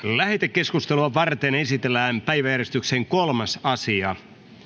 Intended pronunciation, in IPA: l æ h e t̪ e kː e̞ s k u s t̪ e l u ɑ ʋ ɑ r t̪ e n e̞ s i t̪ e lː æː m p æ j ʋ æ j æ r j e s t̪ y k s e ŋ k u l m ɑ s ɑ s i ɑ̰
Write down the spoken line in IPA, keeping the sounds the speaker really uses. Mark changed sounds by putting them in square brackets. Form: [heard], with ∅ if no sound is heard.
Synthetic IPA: l æ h e t̪ e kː e̞ s k u s t̪ e l u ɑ ʋ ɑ r t̪ e n e̞ s i t̪ e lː æː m p æ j ʋ æ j æ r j e s t̪ y k s e ŋ k [o] l m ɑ s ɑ s i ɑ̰